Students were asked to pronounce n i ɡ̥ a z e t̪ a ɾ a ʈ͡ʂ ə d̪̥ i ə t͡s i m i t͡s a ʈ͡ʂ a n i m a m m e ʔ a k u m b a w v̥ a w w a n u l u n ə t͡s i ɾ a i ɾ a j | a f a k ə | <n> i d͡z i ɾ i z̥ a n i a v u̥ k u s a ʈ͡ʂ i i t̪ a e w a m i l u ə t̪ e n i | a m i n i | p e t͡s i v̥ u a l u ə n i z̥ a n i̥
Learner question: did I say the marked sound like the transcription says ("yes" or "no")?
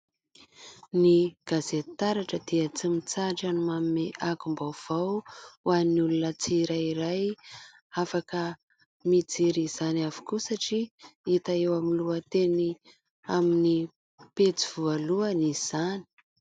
no